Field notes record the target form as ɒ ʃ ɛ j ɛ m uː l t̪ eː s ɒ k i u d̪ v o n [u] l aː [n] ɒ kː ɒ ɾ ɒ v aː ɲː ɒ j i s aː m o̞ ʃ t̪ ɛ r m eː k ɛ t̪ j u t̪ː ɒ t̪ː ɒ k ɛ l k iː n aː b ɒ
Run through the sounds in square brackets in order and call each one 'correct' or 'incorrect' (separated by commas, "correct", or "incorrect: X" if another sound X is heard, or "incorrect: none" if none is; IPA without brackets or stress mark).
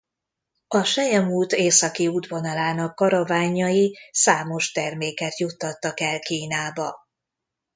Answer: incorrect: ɒ, correct